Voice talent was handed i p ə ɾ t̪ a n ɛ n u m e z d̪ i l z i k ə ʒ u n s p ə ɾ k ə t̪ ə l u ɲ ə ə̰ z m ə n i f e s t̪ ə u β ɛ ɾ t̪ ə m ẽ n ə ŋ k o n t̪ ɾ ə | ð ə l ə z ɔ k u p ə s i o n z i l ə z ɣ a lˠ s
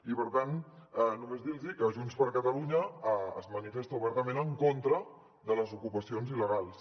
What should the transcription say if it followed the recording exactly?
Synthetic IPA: i p ə ɾ t̪ a n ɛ n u m e z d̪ i l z i k ə ʒ u n s p ə ɾ k ə t̪ ə l u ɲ ə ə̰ z m ə n i f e s t̪ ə u β ɛ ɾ t̪ ə m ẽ n ə ŋ k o n t̪ ɾ ə | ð ə l ə z u k u p ə s i o n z i l ə ɣ a lˠ s